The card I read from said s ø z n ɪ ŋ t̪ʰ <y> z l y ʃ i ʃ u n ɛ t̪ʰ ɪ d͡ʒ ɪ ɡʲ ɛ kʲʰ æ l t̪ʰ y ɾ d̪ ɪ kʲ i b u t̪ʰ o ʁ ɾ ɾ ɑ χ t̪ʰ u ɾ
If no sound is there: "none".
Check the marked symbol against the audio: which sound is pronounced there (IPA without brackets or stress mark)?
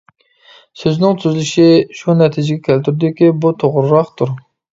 y